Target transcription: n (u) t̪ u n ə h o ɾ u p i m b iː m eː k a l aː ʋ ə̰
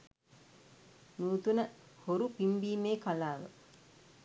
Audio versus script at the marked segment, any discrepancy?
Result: yes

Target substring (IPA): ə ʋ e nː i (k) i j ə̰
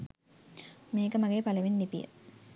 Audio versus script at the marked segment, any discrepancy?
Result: yes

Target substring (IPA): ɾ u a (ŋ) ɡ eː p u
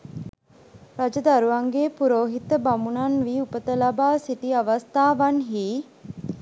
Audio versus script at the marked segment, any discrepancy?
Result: no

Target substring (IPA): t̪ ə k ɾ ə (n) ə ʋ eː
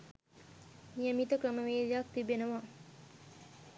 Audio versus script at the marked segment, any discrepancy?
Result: yes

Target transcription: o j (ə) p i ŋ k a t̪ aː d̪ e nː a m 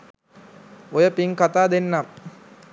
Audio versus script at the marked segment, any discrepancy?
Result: no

